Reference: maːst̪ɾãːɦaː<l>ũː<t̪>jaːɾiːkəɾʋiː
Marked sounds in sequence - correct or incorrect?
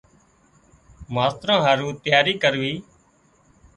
incorrect: ɾ, correct

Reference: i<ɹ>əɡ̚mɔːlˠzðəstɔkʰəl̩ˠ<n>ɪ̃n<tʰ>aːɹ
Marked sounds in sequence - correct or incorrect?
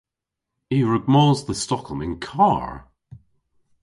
correct, incorrect: m, incorrect: kʰ

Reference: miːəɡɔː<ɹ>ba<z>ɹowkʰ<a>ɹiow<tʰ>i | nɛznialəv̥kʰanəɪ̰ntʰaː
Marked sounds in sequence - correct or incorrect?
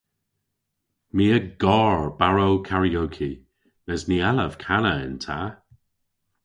correct, incorrect: none, correct, incorrect: kʰ

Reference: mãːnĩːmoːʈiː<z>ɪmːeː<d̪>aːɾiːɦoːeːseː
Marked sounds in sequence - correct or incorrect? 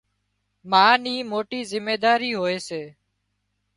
correct, correct

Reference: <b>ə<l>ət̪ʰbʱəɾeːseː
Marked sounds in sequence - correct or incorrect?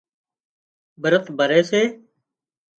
correct, incorrect: ɾ

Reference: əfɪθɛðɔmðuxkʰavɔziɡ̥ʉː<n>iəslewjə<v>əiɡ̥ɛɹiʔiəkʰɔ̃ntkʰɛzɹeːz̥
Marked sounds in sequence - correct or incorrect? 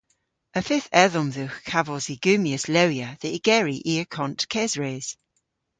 incorrect: m, incorrect: ð

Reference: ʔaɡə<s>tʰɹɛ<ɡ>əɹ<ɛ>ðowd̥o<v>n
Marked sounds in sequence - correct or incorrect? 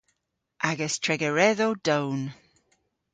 correct, correct, correct, incorrect: w

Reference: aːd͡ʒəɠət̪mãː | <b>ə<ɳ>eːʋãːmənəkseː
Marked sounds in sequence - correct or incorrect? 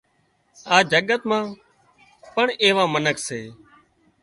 incorrect: p, correct

